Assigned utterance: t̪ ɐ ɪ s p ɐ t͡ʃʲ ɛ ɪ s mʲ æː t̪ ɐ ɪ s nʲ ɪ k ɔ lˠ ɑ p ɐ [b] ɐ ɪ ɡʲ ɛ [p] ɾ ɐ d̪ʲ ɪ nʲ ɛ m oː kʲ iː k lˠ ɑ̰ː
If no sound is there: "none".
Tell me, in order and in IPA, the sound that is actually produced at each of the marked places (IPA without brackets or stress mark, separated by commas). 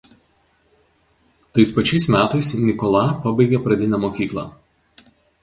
b, p